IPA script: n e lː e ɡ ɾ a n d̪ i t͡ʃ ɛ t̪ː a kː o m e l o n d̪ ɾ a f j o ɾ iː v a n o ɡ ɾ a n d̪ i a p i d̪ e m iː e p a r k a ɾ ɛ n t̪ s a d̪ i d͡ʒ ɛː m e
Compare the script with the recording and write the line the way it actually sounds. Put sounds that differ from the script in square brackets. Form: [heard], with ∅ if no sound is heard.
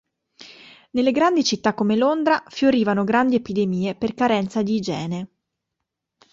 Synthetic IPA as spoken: n e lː e ɡ ɾ a n d̪ i t͡ʃ [i] t̪ː a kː o m e l o n d̪ ɾ a f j o ɾ iː v a n o ɡ ɾ a n d̪ i [e] p i d̪ e m iː e p [e] r k a ɾ ɛ n t̪ s a d̪ i d͡ʒ ɛː [n] e